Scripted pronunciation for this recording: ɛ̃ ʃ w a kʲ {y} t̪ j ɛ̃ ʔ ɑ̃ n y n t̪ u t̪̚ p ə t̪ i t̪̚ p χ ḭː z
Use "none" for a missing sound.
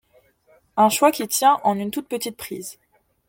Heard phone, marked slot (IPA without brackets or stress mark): i